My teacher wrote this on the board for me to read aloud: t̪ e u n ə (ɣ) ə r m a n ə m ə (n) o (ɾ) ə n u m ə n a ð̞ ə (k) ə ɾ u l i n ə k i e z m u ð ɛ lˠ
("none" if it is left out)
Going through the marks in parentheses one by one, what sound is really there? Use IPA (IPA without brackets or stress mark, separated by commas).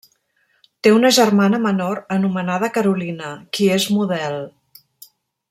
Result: ʒ, n, ɾ, k